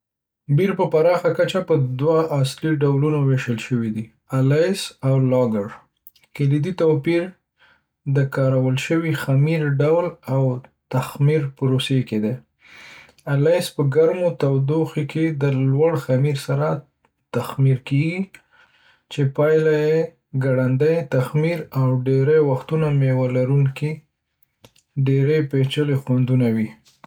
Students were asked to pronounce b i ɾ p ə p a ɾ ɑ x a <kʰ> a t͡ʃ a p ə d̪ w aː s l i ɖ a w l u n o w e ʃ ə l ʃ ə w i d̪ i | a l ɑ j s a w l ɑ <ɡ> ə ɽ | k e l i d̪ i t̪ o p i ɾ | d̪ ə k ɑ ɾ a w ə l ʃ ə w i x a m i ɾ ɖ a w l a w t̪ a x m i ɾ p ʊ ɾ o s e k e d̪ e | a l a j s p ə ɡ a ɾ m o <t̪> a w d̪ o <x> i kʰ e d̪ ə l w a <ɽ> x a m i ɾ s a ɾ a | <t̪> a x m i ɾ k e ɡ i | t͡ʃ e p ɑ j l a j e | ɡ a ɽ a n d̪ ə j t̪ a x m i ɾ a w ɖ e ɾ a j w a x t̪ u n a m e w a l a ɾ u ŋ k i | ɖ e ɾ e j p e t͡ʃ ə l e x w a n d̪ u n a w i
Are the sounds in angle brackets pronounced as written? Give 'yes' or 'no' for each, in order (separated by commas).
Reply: no, yes, yes, yes, yes, yes